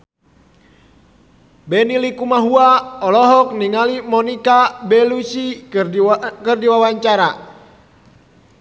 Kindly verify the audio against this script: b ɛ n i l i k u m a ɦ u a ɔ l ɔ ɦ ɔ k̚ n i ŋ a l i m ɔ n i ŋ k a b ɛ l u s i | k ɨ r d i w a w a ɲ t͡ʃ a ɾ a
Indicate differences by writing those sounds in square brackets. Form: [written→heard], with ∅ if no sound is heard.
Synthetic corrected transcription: b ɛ n i l i k u m a ɦ u a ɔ l ɔ ɦ ɔ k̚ n i ŋ a l i m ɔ n i [ŋ→∅] k a b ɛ l u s i | k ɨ r d i w a w a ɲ t͡ʃ a ɾ a